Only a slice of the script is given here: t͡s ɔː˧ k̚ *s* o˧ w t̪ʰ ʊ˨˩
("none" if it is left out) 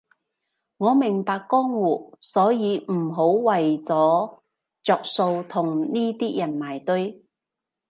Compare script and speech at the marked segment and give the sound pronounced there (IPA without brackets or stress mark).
s